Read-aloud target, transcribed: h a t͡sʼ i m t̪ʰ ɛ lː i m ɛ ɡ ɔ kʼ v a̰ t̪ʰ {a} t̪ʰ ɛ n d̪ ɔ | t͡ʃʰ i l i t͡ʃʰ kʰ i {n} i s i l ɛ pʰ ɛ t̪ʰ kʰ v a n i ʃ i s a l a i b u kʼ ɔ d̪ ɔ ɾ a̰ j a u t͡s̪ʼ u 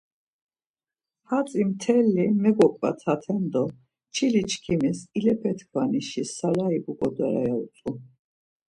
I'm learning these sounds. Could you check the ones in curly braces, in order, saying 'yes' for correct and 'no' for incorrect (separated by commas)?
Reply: yes, no